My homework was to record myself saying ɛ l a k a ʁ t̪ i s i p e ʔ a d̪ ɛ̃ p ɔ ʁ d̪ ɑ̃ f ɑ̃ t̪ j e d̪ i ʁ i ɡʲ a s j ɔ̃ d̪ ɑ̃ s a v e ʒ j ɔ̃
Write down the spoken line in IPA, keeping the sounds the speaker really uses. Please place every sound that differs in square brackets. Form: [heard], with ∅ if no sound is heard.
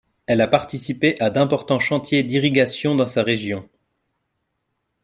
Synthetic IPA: ɛ l a [p] a ʁ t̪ i s i p e ʔ a d̪ ɛ̃ p ɔ ʁ [t̪] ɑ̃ [ʃ] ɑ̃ t̪ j e d̪ i ʁ i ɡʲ a s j ɔ̃ d̪ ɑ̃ s a [ʁ] e ʒ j ɔ̃